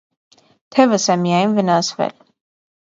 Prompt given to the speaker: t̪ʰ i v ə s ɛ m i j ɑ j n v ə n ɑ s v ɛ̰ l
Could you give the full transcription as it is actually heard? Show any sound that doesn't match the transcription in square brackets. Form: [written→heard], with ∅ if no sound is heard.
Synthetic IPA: t̪ʰ [i→ɛ] v ə s ɛ m i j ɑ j n v ə n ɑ s v ɛ̰ l